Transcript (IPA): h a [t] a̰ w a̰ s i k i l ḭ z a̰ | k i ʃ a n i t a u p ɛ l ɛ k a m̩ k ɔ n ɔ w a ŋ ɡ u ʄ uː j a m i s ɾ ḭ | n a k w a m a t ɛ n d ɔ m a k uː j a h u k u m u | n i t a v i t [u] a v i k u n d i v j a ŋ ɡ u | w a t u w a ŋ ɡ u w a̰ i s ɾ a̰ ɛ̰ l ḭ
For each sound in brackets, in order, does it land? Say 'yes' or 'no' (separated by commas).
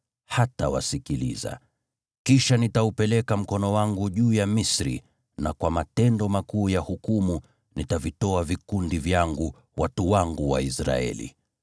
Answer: yes, no